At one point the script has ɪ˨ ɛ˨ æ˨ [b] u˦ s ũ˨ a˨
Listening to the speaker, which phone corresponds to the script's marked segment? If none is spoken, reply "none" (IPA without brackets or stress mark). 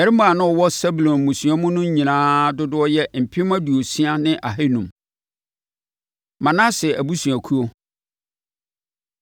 b